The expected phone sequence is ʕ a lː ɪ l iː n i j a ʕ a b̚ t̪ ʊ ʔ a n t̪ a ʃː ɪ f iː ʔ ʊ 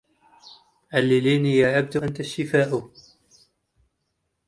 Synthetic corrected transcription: ʕ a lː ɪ l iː n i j a ʕ a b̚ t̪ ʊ ʔ a n t̪ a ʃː ɪ f aː ʔ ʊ